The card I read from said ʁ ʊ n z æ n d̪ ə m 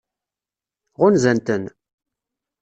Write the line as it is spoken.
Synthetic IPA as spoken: ʁ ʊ n z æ n t̪ ə n